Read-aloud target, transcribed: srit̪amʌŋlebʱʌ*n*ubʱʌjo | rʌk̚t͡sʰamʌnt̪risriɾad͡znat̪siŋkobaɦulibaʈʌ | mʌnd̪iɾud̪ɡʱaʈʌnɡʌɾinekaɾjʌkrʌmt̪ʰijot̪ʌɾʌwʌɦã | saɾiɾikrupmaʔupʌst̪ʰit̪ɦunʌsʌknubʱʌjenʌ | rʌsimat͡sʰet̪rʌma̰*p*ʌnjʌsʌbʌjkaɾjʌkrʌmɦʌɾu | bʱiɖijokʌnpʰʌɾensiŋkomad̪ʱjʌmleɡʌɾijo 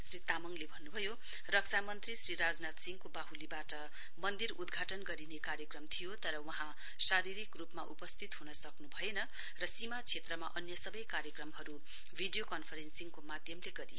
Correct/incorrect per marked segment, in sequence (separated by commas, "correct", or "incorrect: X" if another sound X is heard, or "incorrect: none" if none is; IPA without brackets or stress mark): incorrect: nː, incorrect: ʔ